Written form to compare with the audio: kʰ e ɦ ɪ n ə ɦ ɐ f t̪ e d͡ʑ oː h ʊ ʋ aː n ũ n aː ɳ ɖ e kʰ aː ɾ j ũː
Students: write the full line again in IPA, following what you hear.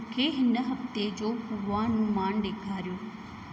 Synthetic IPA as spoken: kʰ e ɦ ɪ n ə ɦ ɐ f t̪ e d͡ʑ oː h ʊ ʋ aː n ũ m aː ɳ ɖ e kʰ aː ɾ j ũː